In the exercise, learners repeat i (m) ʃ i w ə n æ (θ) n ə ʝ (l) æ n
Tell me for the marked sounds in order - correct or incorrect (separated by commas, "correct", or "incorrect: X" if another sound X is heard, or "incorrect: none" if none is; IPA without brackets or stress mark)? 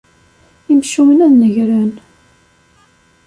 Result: correct, incorrect: ð, incorrect: ɾ